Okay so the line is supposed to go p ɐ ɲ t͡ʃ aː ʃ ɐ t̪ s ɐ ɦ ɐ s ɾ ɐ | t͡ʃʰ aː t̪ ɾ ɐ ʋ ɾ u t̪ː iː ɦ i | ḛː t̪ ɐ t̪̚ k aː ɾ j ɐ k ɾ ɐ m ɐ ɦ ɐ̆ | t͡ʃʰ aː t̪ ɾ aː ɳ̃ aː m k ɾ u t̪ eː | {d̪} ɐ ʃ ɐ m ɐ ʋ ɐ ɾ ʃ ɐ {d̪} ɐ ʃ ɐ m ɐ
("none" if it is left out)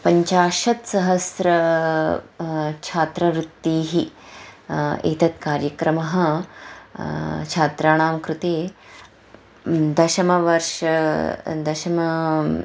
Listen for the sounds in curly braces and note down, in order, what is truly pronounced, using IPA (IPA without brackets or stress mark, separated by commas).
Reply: d̪, d̪